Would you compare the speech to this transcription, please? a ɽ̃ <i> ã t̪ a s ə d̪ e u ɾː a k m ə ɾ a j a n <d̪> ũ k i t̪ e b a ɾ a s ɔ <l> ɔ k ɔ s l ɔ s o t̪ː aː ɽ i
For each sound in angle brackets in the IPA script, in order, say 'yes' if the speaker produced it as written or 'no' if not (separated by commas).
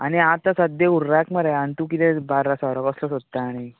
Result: yes, no, no